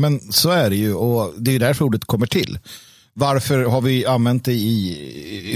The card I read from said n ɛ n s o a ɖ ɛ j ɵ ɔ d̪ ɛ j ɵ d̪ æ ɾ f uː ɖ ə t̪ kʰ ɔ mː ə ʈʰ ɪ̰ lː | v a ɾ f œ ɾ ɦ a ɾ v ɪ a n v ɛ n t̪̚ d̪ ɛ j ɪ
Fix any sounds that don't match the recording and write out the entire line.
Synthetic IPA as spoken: m ɛ n s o æ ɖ ɛ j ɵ ɔ d̪ ɛ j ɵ d̪ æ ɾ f uː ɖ ə t̪ kʰ ɔ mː ə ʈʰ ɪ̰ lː | v a ɾ f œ ɾ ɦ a ɾ v ɪ a n v ɛ n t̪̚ d̪ ɛ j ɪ